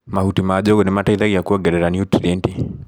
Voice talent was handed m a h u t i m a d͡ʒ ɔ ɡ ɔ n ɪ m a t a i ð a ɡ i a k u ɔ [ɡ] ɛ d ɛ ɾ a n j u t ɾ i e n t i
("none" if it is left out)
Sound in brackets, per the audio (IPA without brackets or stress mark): ɡ